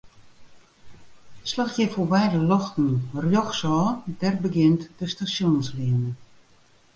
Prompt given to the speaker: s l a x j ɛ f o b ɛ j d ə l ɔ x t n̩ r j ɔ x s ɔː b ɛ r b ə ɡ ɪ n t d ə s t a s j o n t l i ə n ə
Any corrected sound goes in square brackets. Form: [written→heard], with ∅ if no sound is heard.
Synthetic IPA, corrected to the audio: s l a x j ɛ f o b ɛ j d ə l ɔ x t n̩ r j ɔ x s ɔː [b→d] ɛ r b ə ɡ ɪ n t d ə s t a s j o n [t→s] l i ə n ə